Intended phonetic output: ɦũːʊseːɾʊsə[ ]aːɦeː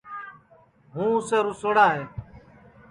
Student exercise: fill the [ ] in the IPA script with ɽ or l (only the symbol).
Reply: ɽ